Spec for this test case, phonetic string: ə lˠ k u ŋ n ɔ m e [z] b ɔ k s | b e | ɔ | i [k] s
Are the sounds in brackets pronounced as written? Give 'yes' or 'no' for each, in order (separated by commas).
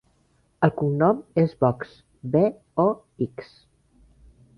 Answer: yes, yes